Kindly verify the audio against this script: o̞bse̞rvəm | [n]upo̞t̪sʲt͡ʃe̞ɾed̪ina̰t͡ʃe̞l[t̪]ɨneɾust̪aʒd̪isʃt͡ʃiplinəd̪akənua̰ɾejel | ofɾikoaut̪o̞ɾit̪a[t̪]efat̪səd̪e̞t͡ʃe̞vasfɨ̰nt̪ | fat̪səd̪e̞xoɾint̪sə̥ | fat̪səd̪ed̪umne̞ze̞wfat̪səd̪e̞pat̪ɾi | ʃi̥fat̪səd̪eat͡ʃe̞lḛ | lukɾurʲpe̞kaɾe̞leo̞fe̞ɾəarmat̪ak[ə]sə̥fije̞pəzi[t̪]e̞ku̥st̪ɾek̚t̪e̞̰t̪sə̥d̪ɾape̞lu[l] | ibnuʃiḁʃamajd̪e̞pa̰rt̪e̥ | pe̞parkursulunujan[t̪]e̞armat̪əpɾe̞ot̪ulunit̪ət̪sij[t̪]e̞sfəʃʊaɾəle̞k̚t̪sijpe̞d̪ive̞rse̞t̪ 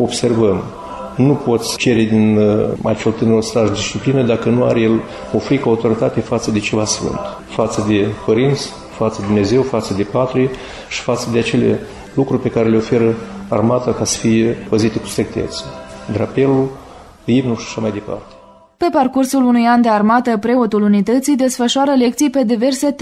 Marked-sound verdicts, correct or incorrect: correct, correct, correct, incorrect, correct, correct, incorrect, incorrect

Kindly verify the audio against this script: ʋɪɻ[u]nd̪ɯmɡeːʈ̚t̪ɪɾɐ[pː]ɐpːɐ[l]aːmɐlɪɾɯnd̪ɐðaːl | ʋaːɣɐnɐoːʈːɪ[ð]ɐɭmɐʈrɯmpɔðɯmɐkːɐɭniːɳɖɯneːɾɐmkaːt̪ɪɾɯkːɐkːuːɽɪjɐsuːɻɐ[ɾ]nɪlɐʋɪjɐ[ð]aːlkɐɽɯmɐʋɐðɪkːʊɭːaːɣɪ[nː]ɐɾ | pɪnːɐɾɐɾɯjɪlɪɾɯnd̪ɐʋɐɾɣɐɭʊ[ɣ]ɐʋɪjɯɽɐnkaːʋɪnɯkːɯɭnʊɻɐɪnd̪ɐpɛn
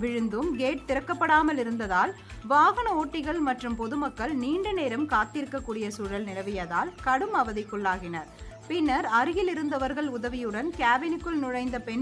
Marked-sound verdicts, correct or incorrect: incorrect, incorrect, incorrect, incorrect, incorrect, correct, incorrect, incorrect

